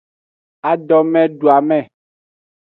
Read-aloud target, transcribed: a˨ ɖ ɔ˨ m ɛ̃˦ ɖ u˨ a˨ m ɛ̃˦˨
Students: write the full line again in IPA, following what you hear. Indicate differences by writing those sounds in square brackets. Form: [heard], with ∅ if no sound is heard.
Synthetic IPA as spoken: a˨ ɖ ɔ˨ m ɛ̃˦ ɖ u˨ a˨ m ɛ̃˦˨